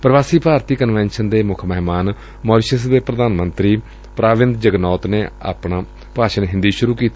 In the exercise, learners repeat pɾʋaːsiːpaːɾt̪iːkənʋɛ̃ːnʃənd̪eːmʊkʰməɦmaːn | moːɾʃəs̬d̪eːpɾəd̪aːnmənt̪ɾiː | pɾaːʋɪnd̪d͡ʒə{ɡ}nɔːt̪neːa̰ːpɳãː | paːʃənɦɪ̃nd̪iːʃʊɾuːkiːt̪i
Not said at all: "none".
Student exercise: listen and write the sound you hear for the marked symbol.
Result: ɡ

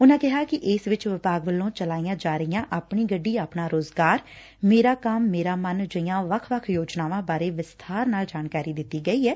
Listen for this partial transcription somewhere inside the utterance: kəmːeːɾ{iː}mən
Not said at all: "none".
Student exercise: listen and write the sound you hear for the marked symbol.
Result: aː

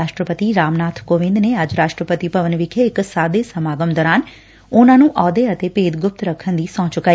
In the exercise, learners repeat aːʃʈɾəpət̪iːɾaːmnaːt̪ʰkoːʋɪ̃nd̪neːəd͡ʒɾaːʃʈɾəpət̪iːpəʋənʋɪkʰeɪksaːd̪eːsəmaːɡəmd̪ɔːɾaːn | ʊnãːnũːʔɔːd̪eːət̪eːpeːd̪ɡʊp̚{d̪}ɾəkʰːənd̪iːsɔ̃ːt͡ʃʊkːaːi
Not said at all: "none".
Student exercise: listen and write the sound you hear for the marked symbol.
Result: t̪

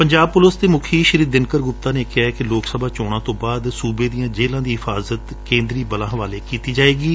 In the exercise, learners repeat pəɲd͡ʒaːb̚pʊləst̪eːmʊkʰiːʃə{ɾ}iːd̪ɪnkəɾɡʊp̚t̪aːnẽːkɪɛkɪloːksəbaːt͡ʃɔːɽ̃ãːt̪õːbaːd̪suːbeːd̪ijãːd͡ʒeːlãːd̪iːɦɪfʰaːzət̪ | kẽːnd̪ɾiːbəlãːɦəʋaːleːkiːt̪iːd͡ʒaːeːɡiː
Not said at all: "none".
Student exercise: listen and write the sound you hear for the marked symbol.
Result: ɾ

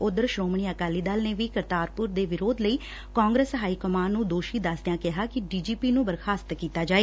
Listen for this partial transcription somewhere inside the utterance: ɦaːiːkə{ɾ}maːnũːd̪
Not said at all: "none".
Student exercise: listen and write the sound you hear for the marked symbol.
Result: none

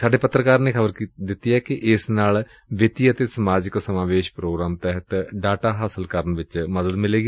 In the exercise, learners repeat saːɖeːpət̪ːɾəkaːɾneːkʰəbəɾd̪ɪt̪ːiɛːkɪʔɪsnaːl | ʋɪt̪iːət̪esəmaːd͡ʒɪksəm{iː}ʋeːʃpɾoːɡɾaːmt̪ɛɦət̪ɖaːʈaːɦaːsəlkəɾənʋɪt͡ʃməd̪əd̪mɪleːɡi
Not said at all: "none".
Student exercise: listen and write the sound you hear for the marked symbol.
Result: aː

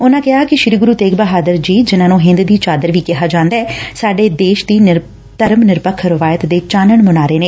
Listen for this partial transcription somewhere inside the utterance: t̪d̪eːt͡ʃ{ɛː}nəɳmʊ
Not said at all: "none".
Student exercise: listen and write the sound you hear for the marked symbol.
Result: aː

